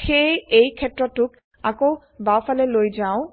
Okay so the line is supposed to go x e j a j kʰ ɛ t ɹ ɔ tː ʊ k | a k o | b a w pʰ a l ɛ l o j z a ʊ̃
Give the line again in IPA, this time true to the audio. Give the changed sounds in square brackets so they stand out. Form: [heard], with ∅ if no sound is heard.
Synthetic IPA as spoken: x e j [e] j kʰ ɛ t ɹ ɔ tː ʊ k | a k o | b a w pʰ a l ɛ l o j z a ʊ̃